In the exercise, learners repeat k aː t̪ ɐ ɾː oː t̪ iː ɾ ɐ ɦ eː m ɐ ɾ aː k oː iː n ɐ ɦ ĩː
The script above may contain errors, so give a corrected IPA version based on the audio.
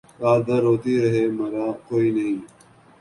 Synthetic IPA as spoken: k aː d̪ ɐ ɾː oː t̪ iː ɾ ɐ ɦ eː m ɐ ɾ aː k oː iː n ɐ ɦ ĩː